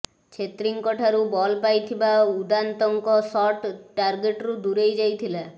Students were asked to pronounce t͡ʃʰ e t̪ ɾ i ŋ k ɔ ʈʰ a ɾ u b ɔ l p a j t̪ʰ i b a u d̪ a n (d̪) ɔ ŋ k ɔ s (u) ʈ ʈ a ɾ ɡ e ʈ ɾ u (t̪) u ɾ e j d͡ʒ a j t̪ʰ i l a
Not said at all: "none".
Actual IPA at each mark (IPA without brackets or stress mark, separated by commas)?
t̪, ɔ, d̪